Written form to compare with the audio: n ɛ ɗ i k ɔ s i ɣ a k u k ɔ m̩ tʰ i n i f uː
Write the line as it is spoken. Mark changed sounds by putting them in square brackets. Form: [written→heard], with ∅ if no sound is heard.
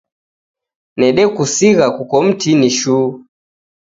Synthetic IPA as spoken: n ɛ ɗ [i→ɛ] k [ɔ→u] s i ɣ a k u k ɔ m̩ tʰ i n i [f→ʃ] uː